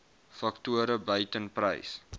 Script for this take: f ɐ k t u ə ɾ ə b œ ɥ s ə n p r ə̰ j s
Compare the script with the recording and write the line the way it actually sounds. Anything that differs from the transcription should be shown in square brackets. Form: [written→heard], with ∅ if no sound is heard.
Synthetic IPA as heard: f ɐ k t u ə ɾ ə b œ ɥ [s→t] ə n p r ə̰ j s